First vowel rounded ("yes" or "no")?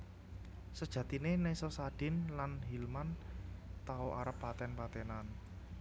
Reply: no